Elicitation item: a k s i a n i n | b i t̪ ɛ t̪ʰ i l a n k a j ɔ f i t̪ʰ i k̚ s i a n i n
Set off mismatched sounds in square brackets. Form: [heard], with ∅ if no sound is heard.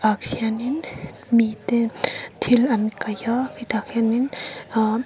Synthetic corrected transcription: a k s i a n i n | [m] i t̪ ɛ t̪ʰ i l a n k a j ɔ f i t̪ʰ [a] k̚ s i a n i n